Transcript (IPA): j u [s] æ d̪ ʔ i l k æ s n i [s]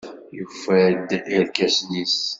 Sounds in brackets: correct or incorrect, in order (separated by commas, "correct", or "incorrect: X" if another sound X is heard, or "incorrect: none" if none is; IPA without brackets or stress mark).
incorrect: f, correct